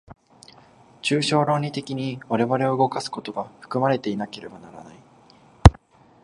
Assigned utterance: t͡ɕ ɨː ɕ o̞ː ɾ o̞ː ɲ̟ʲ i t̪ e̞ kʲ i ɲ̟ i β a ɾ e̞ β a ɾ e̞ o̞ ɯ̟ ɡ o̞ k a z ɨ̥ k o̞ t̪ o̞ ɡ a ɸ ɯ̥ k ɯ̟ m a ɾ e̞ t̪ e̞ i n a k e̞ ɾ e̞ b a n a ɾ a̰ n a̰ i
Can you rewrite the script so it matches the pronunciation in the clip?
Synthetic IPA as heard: t͡ɕ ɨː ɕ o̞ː ɾ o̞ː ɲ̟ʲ i t̪ e̞ kʲ i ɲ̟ i β a ɾ e̞ β a ɾ e̞ o̞ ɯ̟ ɡ o̞ k a s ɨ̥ k o̞ t̪ o̞ ɡ a ɸ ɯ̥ k ɯ̟ m a ɾ e̞ t̪ e̞ i n a k e̞ ɾ e̞ b a n a ɾ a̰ n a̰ i